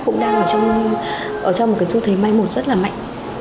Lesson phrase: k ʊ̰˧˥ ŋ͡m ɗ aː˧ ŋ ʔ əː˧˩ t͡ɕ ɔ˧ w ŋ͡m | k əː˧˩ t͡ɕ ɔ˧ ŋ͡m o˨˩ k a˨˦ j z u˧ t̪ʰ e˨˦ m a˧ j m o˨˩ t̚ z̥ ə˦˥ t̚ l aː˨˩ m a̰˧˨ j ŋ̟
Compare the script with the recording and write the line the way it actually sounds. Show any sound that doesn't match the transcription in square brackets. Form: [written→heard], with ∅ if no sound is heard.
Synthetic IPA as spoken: k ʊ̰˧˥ ŋ͡m ɗ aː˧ ŋ ʔ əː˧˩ t͡ɕ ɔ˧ w ŋ͡m | [k→ʔ] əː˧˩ t͡ɕ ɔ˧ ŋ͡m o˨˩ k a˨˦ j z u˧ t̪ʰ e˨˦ m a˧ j m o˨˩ t̚ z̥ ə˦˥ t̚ l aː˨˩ m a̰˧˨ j ŋ̟

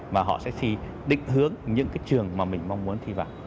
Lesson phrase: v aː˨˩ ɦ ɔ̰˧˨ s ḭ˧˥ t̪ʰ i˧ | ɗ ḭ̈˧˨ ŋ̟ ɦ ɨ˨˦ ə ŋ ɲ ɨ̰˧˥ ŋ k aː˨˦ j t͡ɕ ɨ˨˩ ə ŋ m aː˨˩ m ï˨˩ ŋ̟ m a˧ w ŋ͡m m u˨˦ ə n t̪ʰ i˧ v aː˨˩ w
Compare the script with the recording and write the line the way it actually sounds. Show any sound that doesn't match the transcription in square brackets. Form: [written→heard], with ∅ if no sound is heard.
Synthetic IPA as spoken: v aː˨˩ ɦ ɔ̰˧˨ s [ḭ˧˥→ɛ̰˧˥] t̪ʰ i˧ | ɗ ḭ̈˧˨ ŋ̟ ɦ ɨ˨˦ ə ŋ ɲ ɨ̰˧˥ ŋ k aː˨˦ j t͡ɕ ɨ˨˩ ə ŋ m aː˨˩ m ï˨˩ ŋ̟ m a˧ w ŋ͡m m u˨˦ ə n t̪ʰ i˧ v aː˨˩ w

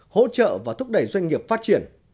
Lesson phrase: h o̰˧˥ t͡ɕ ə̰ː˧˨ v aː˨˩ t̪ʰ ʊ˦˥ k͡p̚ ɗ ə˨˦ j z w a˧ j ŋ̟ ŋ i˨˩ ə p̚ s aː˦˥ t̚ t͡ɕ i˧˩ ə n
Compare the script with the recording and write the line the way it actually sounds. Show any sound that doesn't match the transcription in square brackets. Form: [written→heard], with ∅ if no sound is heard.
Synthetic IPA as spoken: h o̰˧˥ t͡ɕ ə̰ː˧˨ v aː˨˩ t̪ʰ ʊ˦˥ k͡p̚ ɗ [ə˨˦→ə˨˧˩] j z w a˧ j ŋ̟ ŋ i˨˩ ə p̚ [s→f] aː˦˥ t̚ t͡ɕ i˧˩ ə n

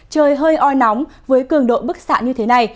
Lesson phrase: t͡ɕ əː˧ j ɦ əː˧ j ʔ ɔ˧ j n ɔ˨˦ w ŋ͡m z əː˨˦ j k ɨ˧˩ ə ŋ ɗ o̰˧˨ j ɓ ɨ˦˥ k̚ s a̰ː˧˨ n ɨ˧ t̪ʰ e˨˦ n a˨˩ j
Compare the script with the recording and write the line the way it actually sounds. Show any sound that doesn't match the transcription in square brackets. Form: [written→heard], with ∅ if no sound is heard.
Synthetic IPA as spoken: t͡ɕ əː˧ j ɦ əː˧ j ʔ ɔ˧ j n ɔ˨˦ w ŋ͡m [z→v] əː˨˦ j k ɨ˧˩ ə ŋ ɗ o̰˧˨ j ɓ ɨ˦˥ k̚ s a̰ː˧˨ [n→ɲ] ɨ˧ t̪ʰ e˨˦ n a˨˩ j

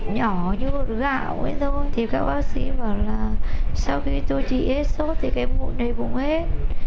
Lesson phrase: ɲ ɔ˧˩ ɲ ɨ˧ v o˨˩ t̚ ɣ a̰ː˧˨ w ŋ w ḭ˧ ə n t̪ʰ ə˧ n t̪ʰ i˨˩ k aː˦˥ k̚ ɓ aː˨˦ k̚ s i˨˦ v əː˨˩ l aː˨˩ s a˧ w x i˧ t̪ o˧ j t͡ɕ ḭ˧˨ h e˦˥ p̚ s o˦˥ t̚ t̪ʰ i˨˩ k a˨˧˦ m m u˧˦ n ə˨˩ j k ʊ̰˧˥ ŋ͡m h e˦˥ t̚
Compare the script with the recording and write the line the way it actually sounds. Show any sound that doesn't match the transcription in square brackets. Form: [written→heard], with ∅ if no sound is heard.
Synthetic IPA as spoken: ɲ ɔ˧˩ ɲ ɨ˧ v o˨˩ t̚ ɣ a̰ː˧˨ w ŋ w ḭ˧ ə n t̪ʰ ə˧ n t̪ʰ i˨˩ k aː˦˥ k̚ ɓ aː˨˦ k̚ s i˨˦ v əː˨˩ l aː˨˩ s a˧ w x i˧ t̪ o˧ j t͡ɕ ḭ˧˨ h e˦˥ [p̚→t̚] s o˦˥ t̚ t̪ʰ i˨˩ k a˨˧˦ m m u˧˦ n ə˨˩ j k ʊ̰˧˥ ŋ͡m h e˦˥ t̚

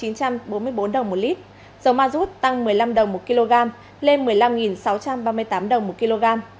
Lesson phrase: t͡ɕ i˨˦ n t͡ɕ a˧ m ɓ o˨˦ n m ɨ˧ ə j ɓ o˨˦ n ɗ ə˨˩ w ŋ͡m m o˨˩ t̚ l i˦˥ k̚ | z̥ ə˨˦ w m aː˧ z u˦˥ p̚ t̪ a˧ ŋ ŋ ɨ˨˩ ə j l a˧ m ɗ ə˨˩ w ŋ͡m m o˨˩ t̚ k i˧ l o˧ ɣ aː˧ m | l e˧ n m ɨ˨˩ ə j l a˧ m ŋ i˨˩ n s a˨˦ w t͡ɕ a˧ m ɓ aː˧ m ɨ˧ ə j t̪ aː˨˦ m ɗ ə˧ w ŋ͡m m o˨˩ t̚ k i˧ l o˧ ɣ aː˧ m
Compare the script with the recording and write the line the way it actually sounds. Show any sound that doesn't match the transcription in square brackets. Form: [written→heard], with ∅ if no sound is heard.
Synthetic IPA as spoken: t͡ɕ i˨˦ n t͡ɕ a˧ m ɓ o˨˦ n m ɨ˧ ə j ɓ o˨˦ n ɗ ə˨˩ w ŋ͡m m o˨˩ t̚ l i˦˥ [k̚→t̚] | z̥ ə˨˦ w m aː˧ z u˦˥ [p̚→t̚] t̪ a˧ ŋ [ŋ→m] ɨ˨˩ ə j l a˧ m ɗ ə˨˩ w ŋ͡m m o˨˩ t̚ k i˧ l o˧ ɣ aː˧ m | l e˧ n m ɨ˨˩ ə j l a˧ m ŋ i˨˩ n s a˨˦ w t͡ɕ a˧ m ɓ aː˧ m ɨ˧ ə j t̪ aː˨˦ m ɗ [ə˧→ə˨˩] w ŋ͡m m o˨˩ t̚ k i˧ l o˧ ɣ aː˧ m

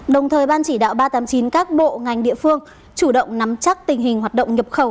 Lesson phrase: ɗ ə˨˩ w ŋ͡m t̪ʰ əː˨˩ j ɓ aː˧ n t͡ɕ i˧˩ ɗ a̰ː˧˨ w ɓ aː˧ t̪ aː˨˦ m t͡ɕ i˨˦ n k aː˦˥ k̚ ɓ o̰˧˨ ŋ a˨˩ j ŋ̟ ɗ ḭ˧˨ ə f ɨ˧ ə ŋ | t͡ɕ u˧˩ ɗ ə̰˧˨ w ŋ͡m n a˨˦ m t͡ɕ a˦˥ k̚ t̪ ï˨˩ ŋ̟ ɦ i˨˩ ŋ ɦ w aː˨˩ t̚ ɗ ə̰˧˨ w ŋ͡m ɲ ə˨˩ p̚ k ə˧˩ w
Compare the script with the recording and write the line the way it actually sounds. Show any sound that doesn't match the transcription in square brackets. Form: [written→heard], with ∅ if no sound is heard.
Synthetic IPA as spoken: ɗ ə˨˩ w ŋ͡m t̪ʰ əː˨˩ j ɓ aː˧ n t͡ɕ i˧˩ ɗ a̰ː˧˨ w ɓ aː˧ t̪ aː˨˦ m t͡ɕ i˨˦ n k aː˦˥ k̚ ɓ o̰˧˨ ŋ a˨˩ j ŋ̟ ɗ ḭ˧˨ ə f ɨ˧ ə ŋ | t͡ɕ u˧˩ ɗ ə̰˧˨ w ŋ͡m n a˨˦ m t͡ɕ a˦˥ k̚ t̪ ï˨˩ ŋ̟ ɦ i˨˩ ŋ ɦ w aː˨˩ t̚ ɗ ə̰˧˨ w ŋ͡m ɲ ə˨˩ p̚ [k→x] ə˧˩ w

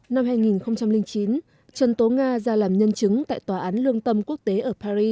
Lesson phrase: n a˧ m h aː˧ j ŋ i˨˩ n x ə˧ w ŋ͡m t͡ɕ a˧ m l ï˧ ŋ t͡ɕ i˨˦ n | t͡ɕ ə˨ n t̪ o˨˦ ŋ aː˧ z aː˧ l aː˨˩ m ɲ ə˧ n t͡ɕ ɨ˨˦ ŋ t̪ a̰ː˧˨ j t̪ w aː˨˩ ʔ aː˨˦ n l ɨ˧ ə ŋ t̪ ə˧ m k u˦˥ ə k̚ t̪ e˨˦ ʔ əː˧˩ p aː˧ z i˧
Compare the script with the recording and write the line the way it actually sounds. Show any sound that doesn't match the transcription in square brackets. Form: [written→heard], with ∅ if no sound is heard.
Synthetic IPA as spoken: n a˧ m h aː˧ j ŋ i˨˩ n x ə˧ w ŋ͡m t͡ɕ a˧ m l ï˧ ŋ t͡ɕ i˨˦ n | t͡ɕ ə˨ n t̪ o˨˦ ŋ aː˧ z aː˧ l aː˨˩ m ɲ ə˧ n t͡ɕ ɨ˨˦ ŋ t̪ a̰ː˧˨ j t̪ w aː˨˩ ʔ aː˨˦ n l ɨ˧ ə ŋ t̪ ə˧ m k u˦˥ ə k̚ t̪ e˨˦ ʔ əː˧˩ p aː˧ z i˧

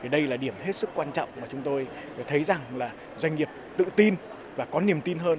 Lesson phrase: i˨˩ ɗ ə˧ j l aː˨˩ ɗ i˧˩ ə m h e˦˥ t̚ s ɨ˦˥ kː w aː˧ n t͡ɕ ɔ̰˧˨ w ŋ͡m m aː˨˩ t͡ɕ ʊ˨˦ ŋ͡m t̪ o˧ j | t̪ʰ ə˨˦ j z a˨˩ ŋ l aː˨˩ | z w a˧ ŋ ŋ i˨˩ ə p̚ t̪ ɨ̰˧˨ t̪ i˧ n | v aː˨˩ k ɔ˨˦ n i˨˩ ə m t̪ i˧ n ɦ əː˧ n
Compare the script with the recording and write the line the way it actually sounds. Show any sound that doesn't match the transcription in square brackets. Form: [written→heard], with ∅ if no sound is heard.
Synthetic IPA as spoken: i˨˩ ɗ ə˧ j l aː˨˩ ɗ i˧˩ ə m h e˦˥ t̚ s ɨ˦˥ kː w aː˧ n t͡ɕ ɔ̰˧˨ w ŋ͡m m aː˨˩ t͡ɕ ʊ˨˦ ŋ͡m t̪ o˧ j | t̪ʰ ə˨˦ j z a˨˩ ŋ l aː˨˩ | z w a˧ ŋ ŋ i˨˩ ə p̚ t̪ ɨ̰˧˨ t̪ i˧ n | v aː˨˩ k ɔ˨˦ n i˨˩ ə m t̪ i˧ n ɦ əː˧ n

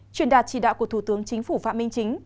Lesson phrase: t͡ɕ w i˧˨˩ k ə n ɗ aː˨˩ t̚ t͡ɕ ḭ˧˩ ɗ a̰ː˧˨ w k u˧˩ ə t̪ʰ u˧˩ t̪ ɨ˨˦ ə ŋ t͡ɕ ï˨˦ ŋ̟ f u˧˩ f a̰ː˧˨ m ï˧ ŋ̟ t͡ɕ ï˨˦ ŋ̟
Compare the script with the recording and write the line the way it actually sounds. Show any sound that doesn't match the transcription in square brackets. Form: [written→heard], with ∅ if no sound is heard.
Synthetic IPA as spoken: t͡ɕ w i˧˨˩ [k→∅] ə n ɗ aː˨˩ t̚ t͡ɕ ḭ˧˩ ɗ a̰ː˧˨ w k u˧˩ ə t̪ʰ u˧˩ t̪ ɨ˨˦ ə ŋ t͡ɕ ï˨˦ ŋ̟ f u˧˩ f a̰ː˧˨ m ï˧ ŋ̟ t͡ɕ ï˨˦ ŋ̟

